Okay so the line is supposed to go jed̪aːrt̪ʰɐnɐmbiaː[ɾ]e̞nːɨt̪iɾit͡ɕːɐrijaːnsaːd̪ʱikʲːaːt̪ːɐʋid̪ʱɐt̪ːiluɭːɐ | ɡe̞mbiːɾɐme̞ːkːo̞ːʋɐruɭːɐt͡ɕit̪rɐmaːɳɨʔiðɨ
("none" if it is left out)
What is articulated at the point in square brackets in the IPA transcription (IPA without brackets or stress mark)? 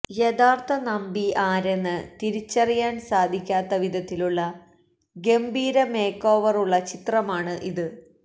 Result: ɾ